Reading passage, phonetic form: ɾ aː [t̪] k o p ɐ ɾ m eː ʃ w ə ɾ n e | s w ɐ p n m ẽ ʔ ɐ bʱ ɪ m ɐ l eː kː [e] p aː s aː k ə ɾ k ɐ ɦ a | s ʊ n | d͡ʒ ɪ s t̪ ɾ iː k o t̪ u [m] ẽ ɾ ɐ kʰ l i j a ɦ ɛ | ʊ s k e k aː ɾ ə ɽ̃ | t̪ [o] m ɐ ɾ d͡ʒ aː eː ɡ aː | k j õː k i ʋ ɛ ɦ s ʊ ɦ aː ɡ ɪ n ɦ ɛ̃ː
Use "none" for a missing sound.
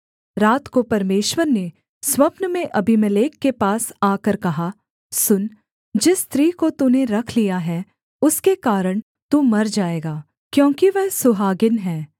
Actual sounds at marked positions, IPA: t̪, e, n, u

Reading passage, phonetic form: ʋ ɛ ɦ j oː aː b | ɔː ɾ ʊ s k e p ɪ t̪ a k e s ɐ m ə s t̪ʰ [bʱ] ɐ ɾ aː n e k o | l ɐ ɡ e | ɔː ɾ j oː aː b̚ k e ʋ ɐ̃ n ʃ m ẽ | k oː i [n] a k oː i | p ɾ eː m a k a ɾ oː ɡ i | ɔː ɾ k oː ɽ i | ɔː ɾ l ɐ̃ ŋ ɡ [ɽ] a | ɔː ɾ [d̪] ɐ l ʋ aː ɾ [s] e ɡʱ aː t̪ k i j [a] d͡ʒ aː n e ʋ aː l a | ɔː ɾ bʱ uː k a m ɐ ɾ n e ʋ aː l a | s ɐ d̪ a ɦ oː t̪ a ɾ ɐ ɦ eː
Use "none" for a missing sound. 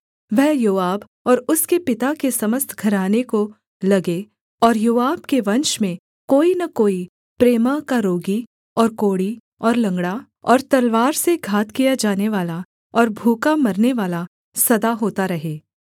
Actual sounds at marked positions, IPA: ɡʱ, n, ɽ, t̪, s, a

